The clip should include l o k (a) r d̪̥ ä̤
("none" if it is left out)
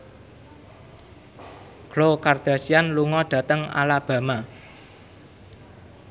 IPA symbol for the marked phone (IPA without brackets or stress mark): a